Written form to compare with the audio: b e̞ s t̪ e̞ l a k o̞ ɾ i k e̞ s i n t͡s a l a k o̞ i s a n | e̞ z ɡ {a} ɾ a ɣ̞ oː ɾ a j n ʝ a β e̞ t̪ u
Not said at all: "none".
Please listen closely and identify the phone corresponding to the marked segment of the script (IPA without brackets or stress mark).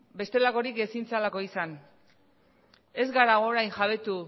a